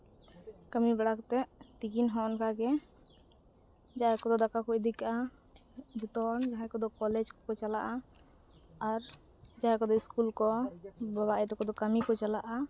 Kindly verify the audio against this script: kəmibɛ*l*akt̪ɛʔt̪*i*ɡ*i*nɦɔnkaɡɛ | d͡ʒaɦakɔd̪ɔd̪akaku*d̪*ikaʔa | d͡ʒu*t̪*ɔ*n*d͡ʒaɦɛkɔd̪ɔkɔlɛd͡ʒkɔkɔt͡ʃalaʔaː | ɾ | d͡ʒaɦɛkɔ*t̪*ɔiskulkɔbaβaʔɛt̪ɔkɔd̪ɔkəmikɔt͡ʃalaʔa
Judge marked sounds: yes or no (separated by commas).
no, yes, yes, yes, yes, yes, no